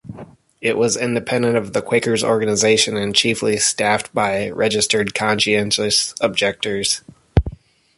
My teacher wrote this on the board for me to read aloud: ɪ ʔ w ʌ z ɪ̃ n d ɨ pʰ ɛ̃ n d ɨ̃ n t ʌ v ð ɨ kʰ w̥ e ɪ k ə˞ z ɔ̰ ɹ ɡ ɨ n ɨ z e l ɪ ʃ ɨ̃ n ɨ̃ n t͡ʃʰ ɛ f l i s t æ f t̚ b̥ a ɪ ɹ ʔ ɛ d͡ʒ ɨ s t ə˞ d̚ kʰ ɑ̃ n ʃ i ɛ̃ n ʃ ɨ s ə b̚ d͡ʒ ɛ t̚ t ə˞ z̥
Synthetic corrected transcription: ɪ ʔ w ʌ z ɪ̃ n d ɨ pʰ ɛ̃ n d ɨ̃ n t ʌ v ð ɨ kʰ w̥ e ɪ k ə˞ z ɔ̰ ɹ ɡ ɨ n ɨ z e ɪ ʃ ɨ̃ n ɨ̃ n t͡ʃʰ i f l i s t æ f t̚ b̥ a ɪ ɹ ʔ ɛ d͡ʒ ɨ s t ə˞ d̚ kʰ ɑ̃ n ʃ i ɛ̃ n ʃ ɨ s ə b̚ d͡ʒ ɛ k̚ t ə˞ z̥